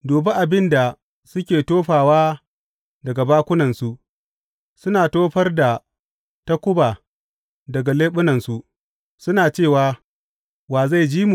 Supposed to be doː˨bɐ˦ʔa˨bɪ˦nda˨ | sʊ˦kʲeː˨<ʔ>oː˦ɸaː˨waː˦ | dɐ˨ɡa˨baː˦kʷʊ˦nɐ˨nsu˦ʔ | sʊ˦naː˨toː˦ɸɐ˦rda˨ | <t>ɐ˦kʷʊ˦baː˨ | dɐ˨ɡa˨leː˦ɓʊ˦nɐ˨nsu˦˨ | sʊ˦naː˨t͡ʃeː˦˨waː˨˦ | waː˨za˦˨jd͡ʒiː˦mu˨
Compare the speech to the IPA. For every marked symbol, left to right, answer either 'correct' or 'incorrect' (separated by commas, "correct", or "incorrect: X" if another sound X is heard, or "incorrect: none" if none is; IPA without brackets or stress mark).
incorrect: t, correct